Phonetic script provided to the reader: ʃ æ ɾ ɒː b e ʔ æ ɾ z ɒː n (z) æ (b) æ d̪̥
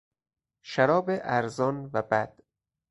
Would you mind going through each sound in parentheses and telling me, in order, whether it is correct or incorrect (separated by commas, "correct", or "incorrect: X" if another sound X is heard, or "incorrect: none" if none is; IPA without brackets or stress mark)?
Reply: incorrect: v, correct